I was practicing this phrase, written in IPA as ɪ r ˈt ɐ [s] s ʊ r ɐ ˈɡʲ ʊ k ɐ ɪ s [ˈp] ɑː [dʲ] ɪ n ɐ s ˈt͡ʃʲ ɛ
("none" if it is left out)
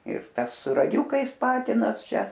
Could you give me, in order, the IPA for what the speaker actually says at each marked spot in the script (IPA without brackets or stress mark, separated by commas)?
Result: s, p, tʲ